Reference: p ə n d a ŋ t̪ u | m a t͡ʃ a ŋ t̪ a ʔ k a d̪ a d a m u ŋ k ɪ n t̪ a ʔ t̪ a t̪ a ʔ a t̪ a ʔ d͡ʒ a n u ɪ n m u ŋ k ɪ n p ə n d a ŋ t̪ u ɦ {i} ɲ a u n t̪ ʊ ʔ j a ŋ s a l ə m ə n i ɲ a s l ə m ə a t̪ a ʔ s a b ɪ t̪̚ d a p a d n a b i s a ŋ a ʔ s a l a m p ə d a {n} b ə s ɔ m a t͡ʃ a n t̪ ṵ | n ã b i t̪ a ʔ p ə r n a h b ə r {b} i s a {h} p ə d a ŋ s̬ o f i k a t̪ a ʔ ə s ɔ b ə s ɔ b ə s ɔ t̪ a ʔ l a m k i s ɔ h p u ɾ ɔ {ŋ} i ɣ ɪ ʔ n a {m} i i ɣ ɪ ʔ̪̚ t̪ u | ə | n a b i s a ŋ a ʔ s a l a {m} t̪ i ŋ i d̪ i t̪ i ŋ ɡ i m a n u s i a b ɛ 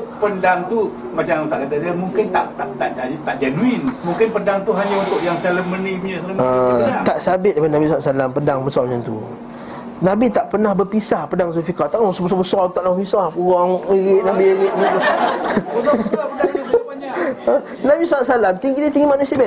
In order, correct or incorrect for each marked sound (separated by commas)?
incorrect, incorrect, incorrect, correct, correct, incorrect, correct